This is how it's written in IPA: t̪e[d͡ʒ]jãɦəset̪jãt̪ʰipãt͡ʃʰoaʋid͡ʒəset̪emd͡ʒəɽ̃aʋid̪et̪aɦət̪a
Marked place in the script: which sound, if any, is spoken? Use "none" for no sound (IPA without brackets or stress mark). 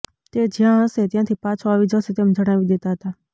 d͡ʒ